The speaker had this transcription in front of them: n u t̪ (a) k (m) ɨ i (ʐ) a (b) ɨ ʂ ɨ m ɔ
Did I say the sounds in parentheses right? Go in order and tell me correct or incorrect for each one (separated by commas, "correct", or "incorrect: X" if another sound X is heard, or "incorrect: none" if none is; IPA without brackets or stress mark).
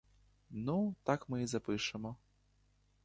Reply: correct, correct, incorrect: z, incorrect: p